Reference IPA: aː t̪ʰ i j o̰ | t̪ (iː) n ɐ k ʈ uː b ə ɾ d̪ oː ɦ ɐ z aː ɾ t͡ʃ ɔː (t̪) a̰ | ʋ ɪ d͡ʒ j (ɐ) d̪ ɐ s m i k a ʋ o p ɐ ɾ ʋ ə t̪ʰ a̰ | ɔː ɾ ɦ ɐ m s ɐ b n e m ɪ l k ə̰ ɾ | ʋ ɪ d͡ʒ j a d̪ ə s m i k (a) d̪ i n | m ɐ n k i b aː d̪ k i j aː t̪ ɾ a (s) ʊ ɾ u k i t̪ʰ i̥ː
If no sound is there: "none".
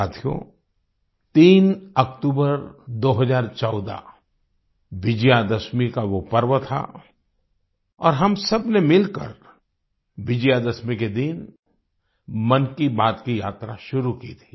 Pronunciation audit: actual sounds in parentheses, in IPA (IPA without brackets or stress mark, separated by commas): iː, d̪, a, e, ʃ